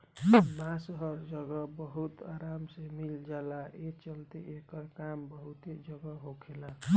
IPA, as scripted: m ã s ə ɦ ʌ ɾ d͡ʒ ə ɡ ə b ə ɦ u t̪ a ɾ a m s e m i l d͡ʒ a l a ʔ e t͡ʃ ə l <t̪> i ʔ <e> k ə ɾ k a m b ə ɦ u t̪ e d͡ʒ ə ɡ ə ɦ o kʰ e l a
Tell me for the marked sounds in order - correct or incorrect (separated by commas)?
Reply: correct, correct